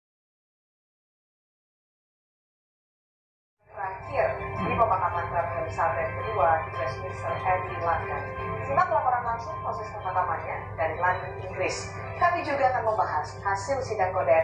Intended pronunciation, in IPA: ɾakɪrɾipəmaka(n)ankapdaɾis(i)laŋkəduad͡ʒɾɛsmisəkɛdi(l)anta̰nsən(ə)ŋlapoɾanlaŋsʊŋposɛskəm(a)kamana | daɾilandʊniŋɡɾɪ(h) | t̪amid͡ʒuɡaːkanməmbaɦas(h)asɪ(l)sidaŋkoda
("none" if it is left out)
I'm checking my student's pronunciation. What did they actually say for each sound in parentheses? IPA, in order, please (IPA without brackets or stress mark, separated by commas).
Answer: m, a, l, a, a, s, h, l